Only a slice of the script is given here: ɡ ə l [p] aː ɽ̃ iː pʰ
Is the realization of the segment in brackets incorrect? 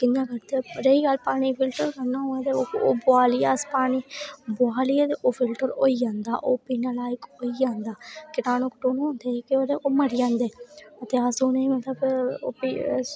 no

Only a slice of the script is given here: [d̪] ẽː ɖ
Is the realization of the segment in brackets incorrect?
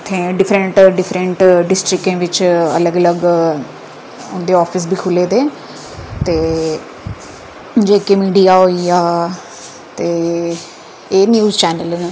yes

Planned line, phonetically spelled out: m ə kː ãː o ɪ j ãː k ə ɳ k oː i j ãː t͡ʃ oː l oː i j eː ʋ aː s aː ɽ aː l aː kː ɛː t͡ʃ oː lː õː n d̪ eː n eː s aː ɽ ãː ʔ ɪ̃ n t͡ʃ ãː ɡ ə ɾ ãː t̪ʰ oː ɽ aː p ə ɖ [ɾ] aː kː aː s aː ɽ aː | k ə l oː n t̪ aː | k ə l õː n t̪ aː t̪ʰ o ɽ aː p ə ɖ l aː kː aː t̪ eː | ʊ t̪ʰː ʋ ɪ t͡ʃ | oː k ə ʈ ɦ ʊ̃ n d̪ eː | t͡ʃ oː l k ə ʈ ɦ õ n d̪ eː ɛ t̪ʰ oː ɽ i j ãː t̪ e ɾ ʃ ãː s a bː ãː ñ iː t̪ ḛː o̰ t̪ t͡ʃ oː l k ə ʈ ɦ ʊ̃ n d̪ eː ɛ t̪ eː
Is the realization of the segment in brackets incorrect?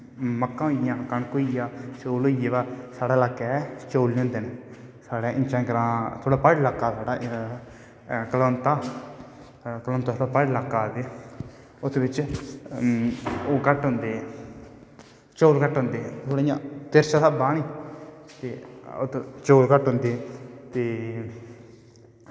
yes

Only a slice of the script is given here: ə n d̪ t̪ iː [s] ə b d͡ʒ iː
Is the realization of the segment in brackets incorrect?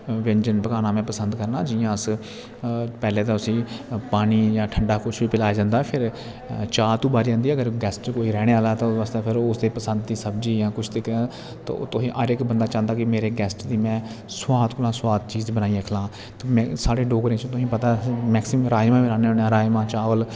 no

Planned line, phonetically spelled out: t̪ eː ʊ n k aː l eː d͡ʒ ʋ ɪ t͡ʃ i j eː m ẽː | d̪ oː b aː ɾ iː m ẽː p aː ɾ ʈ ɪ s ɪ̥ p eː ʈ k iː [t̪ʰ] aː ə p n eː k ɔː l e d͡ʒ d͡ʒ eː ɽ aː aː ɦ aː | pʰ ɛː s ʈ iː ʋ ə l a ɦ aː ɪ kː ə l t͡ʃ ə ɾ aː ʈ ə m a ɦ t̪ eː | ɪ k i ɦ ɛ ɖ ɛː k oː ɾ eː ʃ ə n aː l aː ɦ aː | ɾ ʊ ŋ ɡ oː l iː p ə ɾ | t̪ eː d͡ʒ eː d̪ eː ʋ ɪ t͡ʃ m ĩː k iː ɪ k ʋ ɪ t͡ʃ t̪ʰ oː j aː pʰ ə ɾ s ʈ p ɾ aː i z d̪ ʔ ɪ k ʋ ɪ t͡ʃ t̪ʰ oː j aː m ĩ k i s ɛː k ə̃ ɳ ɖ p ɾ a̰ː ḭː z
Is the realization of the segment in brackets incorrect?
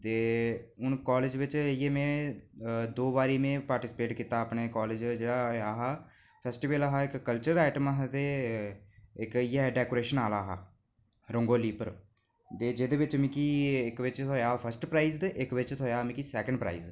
yes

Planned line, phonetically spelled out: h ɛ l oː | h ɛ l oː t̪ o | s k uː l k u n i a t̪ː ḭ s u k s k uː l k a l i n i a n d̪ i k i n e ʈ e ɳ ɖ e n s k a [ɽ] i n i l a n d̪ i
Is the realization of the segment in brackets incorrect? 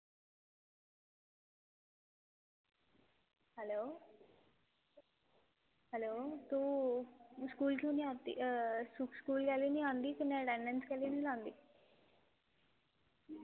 yes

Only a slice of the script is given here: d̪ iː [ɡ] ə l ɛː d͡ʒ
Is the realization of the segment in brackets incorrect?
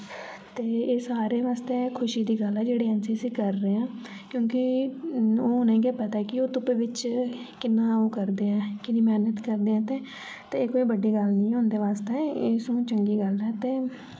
no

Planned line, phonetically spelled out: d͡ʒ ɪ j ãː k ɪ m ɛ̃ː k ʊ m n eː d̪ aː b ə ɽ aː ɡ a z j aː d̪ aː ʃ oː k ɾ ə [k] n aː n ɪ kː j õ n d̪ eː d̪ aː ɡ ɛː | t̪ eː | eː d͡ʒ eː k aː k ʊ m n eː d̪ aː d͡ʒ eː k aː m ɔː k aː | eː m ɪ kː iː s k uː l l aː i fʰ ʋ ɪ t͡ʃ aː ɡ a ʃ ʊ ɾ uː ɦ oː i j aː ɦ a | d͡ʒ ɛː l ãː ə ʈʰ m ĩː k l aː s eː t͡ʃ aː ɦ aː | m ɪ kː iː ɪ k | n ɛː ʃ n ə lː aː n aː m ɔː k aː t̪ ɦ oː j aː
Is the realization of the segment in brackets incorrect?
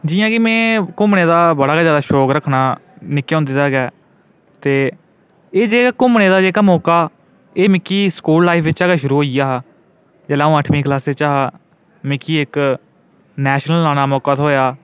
yes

